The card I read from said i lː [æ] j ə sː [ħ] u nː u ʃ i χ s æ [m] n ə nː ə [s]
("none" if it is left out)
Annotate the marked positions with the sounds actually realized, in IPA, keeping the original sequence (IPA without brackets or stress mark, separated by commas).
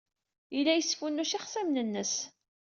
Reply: æ, f, m, s